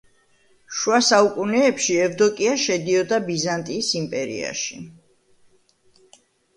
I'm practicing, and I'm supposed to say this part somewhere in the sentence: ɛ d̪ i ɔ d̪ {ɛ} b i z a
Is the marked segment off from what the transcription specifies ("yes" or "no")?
yes